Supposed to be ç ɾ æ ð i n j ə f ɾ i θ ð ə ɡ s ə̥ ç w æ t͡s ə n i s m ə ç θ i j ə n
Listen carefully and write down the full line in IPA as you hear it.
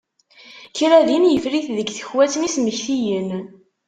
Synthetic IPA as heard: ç ɾ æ ð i n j ə f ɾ i θ ð ə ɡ θ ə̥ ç w æ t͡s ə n i s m ə ç θ i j ə n